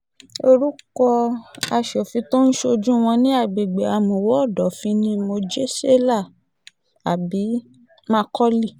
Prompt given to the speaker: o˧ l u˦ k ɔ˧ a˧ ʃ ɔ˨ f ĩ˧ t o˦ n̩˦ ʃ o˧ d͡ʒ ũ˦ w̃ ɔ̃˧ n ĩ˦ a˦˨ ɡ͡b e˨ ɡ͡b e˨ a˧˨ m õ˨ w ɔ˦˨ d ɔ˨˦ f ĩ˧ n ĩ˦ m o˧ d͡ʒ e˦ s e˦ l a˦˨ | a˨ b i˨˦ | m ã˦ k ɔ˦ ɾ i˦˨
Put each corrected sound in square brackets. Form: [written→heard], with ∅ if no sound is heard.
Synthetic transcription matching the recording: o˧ [l→ɾ] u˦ k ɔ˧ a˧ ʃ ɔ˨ f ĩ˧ t o˦ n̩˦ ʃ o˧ d͡ʒ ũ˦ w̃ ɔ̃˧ n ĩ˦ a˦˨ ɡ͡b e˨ ɡ͡b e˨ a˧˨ m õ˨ w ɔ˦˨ d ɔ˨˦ f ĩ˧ n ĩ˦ m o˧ d͡ʒ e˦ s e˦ l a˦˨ | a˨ b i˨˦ | m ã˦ k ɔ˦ [ɾ→l] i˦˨

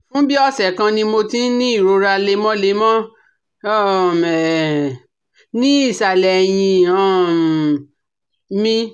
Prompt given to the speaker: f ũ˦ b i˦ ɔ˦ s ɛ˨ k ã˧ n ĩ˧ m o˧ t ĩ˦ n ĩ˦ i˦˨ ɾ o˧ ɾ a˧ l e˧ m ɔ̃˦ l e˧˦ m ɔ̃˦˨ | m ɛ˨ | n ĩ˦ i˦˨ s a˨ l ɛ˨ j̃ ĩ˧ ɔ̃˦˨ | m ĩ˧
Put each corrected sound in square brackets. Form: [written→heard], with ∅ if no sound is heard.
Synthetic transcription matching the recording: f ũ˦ b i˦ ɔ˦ s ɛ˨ k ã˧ n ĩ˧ m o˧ t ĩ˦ n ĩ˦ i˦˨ ɾ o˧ ɾ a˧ l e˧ m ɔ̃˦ l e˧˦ m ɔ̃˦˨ | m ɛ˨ | n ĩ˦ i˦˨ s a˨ l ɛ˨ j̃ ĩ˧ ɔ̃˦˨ | m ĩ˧

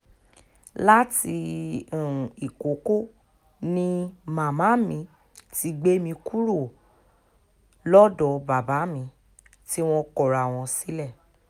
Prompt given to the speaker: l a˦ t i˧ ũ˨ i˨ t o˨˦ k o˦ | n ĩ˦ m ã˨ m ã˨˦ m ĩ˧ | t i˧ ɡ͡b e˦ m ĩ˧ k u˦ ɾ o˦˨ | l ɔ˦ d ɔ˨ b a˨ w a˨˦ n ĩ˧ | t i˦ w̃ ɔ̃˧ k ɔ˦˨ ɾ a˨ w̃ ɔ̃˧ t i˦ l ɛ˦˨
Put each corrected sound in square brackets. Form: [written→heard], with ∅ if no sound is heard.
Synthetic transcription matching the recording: l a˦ t i˧ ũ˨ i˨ [t→k] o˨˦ k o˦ | n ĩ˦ m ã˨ m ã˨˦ m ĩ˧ | t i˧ ɡ͡b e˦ m ĩ˧ k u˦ ɾ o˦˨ | l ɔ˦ d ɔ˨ b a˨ [w→b] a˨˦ [n→m] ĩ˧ | t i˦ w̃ ɔ̃˧ k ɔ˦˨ ɾ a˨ w̃ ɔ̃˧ [t→s] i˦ l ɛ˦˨

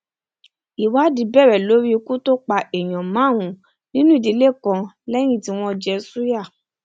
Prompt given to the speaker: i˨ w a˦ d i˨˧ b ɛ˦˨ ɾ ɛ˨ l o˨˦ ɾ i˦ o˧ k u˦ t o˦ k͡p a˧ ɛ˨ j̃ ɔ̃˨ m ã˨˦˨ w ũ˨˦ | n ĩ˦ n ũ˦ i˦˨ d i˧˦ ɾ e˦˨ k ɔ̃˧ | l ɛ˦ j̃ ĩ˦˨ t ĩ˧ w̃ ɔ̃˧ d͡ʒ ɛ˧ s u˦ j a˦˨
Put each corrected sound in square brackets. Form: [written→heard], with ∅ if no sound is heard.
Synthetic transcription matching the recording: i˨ w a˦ d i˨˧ b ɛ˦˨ ɾ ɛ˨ l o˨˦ ɾ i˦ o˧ k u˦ t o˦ k͡p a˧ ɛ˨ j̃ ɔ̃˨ m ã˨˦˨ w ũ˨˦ | n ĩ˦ n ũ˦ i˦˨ d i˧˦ [ɾ→l] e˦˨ k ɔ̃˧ | l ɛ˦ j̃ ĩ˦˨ t [ĩ˧→i˧] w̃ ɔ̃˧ d͡ʒ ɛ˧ s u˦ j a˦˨

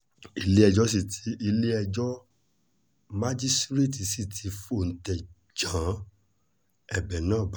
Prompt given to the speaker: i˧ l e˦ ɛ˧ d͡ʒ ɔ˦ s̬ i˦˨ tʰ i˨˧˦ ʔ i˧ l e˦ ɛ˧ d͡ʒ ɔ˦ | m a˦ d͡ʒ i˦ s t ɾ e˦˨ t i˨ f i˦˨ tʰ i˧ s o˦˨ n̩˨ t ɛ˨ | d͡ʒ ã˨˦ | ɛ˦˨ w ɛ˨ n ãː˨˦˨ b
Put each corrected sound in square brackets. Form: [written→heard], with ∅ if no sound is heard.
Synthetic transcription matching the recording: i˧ l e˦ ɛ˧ d͡ʒ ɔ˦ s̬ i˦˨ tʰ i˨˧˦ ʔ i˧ l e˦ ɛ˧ d͡ʒ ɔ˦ | m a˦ d͡ʒ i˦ s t ɾ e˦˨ t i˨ [f→s] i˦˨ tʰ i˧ [s→f] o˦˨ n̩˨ t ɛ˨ | d͡ʒ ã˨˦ | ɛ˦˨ [w→b] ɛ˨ n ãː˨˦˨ b

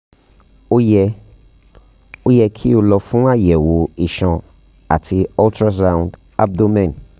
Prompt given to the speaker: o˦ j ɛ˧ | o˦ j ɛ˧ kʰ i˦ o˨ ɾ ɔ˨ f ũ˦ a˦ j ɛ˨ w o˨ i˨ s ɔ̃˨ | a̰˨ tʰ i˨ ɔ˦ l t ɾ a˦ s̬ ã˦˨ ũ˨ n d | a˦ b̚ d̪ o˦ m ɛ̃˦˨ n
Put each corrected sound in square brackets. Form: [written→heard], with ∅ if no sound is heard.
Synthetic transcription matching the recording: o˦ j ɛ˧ | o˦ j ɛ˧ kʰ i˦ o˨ [ɾ→l] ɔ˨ f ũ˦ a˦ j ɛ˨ w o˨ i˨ [s→ʃ] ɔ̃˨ | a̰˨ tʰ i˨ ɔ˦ l t ɾ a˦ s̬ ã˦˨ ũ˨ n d | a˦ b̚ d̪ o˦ m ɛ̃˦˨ n

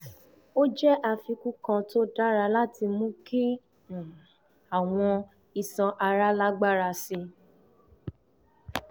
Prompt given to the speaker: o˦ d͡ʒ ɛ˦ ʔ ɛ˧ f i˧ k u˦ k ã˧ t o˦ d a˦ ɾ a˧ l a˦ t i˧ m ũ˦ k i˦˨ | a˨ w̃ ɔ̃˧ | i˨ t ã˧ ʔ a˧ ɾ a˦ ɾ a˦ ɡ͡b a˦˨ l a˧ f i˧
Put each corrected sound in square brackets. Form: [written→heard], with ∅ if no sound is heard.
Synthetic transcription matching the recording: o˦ d͡ʒ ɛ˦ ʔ [ɛ˧→a˧] f i˧ k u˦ k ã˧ t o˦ d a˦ ɾ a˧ l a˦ t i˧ m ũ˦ k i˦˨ | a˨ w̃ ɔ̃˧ | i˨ [t→s] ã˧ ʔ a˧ ɾ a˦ [ɾ→l] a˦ ɡ͡b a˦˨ [l→ɾ] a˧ [f→s] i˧

